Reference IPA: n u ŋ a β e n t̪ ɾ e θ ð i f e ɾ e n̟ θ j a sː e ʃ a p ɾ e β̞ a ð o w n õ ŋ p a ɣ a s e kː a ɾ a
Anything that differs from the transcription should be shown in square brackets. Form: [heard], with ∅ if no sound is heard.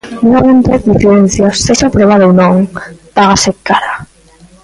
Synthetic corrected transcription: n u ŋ a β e n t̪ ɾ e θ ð i f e ɾ e n̟ θ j a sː e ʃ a p ɾ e β̞ a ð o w n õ ŋ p a ɣ a s e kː a ɾ a